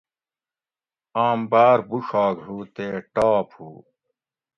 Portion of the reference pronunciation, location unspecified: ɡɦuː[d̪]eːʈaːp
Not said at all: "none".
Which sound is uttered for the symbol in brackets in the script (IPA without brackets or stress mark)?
t̪